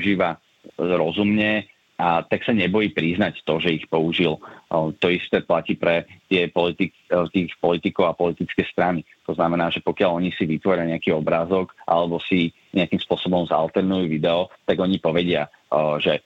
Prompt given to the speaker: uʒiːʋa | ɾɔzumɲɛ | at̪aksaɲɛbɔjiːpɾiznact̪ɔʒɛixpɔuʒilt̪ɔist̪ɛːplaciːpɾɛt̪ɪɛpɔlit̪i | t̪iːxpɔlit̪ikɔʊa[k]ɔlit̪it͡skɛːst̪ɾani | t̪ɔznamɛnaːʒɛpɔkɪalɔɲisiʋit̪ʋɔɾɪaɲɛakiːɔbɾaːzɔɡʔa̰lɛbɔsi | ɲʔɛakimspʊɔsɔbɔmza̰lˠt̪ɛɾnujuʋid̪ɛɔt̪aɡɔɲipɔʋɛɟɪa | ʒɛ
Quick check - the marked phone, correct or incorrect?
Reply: incorrect